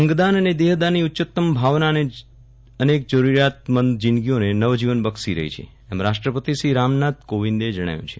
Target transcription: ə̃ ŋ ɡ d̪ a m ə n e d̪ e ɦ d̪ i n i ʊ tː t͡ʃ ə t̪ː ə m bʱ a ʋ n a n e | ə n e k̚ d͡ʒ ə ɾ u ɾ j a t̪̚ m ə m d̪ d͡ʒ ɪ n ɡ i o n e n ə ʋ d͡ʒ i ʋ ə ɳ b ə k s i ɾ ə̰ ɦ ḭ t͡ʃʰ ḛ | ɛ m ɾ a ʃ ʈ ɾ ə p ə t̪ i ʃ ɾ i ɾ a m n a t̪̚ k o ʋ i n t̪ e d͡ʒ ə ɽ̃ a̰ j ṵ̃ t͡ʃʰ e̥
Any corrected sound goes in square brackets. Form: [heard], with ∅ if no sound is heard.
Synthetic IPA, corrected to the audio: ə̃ ŋ ɡ d̪ a [n] ə n e d̪ e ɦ d̪ [a] n i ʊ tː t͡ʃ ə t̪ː ə m bʱ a ʋ n a n e | ə n e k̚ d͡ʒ ə ɾ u ɾ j a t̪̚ m ə [n] d̪ d͡ʒ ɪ n ɡ i o n e n ə ʋ d͡ʒ i ʋ ə [n] b ə k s i ɾ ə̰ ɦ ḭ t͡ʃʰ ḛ | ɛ m ɾ a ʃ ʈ ɾ ə p ə t̪ i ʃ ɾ i ɾ a m n a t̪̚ k o ʋ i n [d̪] e d͡ʒ ə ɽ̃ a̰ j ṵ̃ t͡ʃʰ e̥